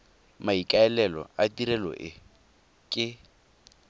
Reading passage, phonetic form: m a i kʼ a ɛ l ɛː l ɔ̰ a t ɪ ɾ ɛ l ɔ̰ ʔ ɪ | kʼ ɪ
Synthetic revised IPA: m a i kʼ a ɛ l ɛ l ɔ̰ a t i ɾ ɛ l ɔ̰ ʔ ɪ | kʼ ɪ